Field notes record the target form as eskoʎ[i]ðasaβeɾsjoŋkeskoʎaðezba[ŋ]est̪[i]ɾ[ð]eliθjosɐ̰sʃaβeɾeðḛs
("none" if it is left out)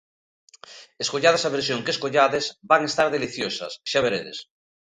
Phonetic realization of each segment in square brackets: a, ŋ, a, ð

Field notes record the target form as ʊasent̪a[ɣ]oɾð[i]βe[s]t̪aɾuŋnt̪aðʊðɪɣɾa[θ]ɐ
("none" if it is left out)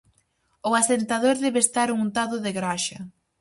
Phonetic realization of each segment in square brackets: ð, ɛ, s, ʃ

